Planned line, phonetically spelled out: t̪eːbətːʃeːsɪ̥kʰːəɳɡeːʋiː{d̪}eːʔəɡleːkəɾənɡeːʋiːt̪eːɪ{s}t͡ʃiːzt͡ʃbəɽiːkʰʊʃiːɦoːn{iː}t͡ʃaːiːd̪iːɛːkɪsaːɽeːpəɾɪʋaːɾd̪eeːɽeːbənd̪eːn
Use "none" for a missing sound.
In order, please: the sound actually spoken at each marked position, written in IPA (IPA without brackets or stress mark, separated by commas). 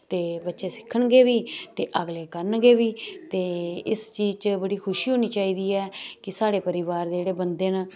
t̪, s, iː